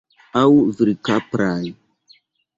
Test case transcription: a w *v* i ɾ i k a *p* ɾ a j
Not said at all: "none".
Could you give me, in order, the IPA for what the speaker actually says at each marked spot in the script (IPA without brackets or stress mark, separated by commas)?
v, p